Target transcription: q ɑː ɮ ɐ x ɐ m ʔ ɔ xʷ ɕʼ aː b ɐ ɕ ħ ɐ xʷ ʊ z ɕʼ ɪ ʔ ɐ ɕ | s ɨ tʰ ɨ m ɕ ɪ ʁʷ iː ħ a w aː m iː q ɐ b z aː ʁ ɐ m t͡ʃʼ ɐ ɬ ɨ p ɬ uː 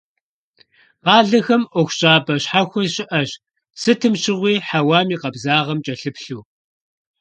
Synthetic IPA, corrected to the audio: q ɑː ɮ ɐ x ɐ m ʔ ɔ xʷ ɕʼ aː b ɐ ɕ ħ a xʷ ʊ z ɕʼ ɪ ʔ ɐ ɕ | s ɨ tʰ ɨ m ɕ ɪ ʁʷ iː ħ a w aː m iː q ɐ b z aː ʁ ɐ m t͡ʃʼ ɐ ɬ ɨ p ɬ uː